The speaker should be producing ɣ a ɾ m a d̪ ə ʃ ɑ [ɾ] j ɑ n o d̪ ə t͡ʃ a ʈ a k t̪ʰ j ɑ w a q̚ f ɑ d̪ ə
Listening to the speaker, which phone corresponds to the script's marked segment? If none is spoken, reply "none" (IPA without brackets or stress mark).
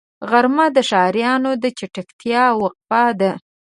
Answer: ɾ